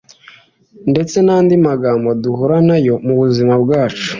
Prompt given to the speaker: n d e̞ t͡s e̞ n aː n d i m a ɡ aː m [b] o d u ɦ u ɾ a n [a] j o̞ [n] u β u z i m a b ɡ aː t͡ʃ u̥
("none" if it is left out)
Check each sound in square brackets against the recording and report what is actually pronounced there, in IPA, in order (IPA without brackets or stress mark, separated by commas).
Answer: b, a, m